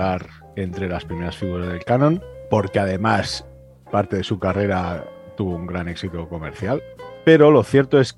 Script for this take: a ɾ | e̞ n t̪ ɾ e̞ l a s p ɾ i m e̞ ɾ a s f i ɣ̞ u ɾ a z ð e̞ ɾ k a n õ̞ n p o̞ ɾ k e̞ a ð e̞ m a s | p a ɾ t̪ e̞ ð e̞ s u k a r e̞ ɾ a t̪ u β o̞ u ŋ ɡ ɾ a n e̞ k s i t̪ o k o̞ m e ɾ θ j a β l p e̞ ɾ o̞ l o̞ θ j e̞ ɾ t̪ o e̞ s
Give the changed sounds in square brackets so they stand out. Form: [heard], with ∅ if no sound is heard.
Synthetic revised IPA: a ɾ | e̞ n t̪ ɾ e̞ l a s p ɾ i m e̞ ɾ a s f i ɣ̞ u ɾ a z ð e̞ [l] k a n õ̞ n p o̞ ɾ k e̞ a ð e̞ m a s | p a ɾ t̪ e̞ ð e̞ s u k a r e̞ ɾ a t̪ u β o̞ u ŋ ɡ ɾ a n e̞ k s i t̪ o k o̞ m e ɾ θ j a [∅] l p e̞ ɾ o̞ l o̞ θ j e̞ ɾ t̪ o e̞ s